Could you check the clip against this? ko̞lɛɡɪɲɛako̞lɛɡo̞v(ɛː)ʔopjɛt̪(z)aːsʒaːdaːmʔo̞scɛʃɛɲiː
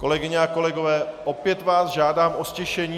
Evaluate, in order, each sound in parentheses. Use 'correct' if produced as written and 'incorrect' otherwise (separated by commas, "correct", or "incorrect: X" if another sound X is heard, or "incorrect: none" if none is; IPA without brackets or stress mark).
correct, incorrect: v